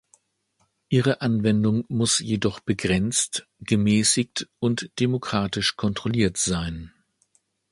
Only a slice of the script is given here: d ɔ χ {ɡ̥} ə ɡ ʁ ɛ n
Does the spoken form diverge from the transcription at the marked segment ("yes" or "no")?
yes